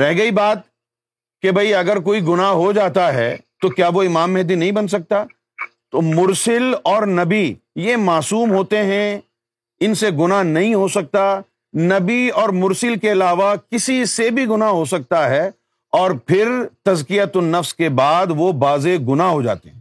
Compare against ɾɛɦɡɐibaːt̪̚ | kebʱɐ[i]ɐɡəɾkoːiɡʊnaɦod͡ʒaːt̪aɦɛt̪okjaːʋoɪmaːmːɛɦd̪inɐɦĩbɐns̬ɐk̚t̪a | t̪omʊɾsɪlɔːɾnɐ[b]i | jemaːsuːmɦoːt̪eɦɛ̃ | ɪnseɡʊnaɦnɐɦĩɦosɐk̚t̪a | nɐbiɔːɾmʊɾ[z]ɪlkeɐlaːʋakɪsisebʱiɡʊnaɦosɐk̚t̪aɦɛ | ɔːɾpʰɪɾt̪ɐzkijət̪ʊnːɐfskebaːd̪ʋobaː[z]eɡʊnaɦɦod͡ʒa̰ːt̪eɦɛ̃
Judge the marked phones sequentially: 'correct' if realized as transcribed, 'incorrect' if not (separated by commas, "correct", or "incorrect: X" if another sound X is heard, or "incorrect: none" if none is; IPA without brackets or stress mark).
correct, correct, incorrect: s, correct